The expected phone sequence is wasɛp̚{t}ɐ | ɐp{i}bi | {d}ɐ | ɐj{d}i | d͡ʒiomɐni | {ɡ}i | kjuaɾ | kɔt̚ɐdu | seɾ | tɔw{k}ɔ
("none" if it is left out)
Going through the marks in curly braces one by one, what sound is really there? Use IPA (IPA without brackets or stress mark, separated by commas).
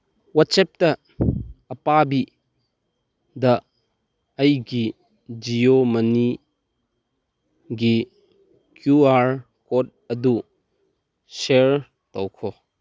t, a, d, ɡ, ɡ, kʰ